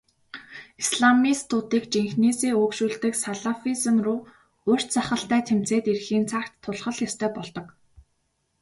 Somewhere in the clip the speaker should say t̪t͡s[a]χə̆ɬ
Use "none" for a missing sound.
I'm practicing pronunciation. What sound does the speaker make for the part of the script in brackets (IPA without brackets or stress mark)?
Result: a